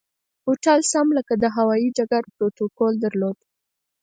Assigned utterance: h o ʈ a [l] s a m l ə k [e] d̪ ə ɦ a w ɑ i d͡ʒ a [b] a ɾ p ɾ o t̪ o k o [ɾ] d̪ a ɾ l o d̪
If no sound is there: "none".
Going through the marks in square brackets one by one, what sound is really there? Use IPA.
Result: l, a, ɡ, l

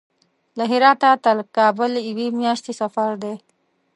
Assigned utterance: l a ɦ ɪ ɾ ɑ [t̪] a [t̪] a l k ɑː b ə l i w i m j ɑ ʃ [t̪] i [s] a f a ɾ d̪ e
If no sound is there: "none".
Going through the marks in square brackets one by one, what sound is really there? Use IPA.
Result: t̪, t̪, t̪, s

